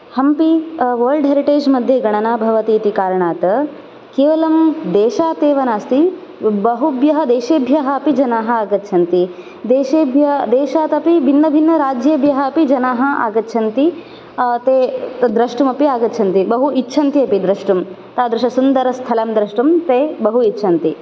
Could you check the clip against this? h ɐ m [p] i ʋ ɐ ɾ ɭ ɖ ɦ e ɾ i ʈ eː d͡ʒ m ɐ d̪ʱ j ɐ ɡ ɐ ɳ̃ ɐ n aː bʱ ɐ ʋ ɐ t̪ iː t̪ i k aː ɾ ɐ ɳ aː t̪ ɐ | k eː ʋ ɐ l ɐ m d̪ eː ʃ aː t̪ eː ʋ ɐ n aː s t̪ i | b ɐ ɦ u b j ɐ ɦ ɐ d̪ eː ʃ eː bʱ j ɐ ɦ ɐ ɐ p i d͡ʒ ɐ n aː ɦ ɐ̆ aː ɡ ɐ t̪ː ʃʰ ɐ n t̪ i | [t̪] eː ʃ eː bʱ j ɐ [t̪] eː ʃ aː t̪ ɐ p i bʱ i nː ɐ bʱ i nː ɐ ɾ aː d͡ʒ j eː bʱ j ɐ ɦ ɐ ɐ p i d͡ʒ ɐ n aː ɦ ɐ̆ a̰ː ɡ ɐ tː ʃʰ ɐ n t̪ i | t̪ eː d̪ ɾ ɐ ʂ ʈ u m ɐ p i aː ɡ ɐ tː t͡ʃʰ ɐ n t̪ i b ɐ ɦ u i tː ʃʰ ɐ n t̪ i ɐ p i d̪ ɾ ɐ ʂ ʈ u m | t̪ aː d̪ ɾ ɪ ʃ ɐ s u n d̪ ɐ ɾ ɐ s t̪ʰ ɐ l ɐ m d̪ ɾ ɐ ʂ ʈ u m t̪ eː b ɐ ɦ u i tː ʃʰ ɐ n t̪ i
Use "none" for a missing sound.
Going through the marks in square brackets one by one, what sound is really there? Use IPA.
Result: p, d̪, d̪

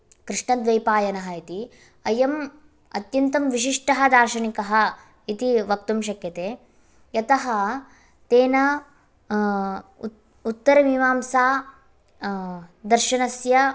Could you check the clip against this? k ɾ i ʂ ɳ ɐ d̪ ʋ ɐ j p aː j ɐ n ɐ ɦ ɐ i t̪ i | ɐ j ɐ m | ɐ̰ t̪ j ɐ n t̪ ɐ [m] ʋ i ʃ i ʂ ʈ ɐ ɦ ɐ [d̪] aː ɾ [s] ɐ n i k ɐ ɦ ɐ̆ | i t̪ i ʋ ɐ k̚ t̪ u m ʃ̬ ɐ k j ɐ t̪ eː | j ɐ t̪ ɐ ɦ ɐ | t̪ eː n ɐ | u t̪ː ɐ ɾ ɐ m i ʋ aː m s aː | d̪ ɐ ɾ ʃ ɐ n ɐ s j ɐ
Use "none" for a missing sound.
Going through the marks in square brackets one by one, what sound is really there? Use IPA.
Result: m, d̪, ʃ

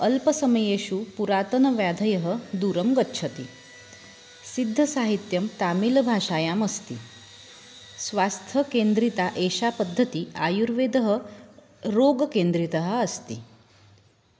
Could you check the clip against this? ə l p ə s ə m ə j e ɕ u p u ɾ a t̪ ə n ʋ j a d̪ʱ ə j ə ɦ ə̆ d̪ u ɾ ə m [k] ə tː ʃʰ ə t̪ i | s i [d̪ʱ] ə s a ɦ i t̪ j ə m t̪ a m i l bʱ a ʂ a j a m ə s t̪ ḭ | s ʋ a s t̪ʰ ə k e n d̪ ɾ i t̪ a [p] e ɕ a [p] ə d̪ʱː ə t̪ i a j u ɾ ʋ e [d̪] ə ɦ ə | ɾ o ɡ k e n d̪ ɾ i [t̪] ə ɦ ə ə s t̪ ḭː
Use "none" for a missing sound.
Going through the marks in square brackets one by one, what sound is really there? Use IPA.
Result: ɡ, d̪ʱː, ʔ, p, d̪, t̪

